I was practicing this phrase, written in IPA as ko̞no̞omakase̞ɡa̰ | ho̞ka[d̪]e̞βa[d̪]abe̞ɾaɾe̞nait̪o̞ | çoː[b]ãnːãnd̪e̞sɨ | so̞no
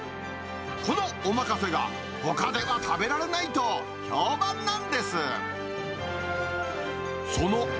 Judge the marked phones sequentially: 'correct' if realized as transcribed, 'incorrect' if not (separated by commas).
correct, incorrect, correct